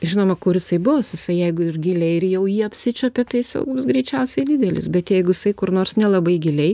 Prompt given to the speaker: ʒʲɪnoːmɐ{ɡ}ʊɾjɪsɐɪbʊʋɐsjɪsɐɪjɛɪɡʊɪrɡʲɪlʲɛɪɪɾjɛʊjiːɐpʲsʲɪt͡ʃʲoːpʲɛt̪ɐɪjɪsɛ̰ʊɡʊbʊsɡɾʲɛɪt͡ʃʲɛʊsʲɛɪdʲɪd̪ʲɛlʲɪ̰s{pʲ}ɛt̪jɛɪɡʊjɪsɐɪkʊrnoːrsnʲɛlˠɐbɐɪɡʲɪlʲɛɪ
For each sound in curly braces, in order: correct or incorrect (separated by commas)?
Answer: incorrect, incorrect